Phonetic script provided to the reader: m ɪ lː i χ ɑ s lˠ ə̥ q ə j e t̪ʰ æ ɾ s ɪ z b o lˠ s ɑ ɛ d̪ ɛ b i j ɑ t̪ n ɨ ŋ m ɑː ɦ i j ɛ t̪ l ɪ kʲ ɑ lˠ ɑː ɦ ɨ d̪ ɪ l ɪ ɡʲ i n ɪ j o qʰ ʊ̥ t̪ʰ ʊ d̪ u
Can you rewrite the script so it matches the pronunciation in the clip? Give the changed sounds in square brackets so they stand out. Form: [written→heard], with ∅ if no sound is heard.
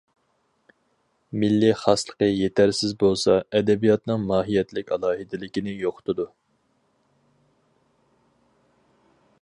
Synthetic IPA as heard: m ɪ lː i χ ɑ s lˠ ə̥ q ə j e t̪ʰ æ ɾ s ɪ z b o lˠ s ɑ ɛ d̪ ɛ b i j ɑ t̪ n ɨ ŋ m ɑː ɦ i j ɛ t̪ l ɪ kʲ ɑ lˠ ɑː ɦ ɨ d̪ ɪ l ɪ [ɡʲ→kʲ] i n ɪ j o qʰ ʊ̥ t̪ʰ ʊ d̪ u

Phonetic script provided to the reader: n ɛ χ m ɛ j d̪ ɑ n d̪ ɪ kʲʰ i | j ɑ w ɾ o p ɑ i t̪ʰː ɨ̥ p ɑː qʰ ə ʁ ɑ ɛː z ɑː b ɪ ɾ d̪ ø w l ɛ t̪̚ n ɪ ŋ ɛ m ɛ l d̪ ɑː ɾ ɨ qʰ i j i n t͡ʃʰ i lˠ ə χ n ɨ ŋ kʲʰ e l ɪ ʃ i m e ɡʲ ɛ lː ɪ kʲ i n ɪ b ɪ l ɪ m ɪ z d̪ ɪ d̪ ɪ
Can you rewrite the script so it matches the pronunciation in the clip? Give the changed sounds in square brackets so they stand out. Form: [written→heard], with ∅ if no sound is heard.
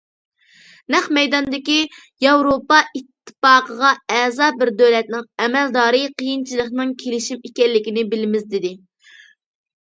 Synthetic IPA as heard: n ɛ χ m ɛ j d̪ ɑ n d̪ ɪ [kʲʰ→kʲ] i | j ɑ w ɾ o p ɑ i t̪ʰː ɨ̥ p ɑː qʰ ə ʁ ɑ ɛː z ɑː b ɪ ɾ d̪ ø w l ɛ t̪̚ n ɪ ŋ ɛ m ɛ l d̪ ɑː ɾ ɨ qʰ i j i n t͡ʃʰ i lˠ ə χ n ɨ ŋ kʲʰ e l ɪ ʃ i m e [ɡʲ→kʲ] ɛ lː ɪ kʲ i n ɪ b ɪ l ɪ m ɪ z d̪ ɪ d̪ ɪ

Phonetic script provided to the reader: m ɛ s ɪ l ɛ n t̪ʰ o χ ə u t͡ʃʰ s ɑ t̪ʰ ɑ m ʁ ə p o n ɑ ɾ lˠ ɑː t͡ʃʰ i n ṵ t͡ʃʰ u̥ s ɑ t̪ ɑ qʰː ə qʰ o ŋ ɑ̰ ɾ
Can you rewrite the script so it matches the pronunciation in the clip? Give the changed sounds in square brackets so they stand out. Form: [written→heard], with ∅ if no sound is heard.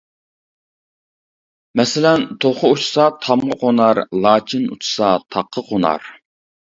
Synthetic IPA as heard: m ɛ s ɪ l ɛ n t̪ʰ o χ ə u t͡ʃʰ s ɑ t̪ʰ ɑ m ʁ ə [p→q] o n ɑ ɾ lˠ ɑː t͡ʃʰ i n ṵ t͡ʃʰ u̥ s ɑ [t̪→t̪ʰ] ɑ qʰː ə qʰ o [ŋ→n] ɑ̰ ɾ

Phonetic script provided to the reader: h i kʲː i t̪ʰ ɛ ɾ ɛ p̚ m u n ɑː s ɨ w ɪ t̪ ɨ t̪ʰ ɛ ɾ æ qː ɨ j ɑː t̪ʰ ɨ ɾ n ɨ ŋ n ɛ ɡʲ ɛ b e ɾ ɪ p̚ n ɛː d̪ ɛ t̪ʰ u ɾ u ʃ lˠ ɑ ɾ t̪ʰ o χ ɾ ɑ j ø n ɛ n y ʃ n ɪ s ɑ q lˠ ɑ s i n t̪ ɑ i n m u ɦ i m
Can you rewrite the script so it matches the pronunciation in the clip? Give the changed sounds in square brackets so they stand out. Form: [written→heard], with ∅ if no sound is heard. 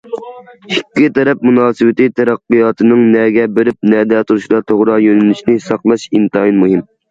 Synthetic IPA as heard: h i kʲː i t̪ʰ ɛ ɾ ɛ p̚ m u n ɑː s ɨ w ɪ t̪ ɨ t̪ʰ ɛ ɾ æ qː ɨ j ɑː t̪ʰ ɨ [ɾ→∅] n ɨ ŋ n ɛ ɡʲ ɛ b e ɾ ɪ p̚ n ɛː d̪ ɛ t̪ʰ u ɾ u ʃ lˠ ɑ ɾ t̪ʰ o [χ→ʁ] ɾ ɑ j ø n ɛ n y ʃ n ɪ s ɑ q lˠ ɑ [s→ʃ] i n t̪ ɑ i n m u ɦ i m

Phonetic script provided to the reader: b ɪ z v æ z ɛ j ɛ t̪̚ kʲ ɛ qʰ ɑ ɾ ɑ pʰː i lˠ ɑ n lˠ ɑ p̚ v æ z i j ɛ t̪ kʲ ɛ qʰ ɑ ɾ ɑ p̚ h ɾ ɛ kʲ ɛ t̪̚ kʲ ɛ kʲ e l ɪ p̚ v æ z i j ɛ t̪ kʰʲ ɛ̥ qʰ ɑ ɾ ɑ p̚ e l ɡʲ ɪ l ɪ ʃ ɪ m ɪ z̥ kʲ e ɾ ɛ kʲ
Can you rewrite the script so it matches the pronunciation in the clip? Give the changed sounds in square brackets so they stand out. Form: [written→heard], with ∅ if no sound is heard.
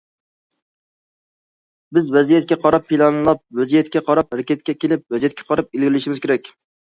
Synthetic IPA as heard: b ɪ z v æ z [ɛ→i] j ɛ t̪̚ kʲ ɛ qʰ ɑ ɾ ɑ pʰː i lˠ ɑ n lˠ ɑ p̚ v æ z i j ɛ t̪ kʲ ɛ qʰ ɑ ɾ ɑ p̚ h ɾ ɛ kʲ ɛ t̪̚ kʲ ɛ kʲ e l ɪ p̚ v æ z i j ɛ t̪ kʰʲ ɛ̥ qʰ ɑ ɾ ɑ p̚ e l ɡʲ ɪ l ɪ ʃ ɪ m ɪ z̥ kʲ e ɾ ɛ kʲ

